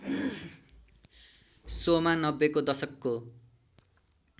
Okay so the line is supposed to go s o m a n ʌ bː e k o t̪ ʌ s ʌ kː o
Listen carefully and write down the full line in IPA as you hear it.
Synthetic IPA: s o m a n ʌ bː e k o d̪ ʌ s ʌ kː o